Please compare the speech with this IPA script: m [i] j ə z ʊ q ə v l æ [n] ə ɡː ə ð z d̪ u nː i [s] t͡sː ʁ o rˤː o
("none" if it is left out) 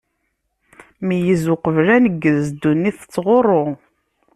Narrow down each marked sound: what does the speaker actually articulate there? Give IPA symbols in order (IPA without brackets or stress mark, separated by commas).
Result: i, n, θ